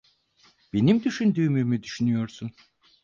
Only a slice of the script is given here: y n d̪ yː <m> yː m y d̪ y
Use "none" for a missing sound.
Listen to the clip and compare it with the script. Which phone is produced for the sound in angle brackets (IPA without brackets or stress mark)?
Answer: m